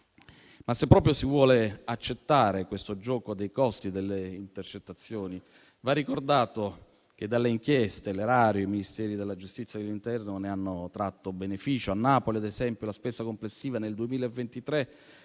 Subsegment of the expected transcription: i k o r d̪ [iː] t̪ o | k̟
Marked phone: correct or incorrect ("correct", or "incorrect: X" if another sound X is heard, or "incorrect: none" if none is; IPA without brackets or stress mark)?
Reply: incorrect: aː